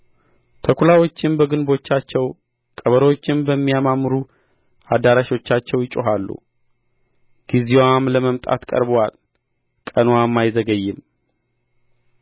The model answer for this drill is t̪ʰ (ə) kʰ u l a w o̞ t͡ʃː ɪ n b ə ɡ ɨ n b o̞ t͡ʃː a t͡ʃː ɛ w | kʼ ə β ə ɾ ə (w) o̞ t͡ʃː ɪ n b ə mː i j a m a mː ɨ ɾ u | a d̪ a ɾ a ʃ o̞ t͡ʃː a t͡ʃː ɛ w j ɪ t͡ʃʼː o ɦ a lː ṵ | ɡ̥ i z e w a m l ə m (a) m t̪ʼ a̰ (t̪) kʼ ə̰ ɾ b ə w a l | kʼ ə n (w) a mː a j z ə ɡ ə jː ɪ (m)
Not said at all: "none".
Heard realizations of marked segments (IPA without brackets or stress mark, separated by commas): ə, w, ə, t̪, w, m